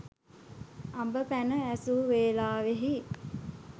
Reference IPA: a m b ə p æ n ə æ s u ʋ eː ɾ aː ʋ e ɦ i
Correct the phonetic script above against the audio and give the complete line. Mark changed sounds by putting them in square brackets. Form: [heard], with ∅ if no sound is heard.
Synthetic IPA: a m b ə p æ n ə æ s u ʋ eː [l] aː ʋ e ɦ i